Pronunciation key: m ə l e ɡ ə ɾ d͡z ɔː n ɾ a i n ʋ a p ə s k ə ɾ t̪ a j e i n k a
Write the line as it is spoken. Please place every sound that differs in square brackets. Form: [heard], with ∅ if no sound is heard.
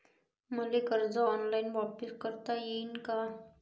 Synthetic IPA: m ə l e [k] ə ɾ d͡z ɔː n [l] a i n ʋ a p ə s k ə ɾ t̪ a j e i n k a